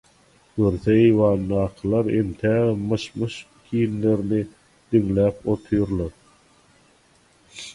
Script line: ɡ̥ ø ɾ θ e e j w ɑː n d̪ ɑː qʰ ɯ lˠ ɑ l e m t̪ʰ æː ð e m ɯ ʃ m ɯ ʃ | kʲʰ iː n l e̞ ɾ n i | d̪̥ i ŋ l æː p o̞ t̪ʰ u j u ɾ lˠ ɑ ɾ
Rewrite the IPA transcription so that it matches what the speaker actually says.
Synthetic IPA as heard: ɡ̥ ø ɾ θ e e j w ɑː n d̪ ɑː qʰ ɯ lˠ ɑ ɾ e m t̪ʰ æː ð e m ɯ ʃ m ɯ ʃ | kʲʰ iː n l e̞ ɾ n i | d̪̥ i ŋ l æː p o̞ t̪ʰ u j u ɾ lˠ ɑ ɾ